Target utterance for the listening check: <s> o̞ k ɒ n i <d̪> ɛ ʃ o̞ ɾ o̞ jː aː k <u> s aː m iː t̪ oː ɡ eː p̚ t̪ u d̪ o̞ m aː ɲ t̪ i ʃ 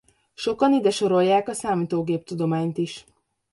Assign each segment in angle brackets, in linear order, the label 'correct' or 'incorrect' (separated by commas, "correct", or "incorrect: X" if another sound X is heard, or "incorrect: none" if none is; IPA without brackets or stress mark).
incorrect: ʃ, correct, incorrect: ɒ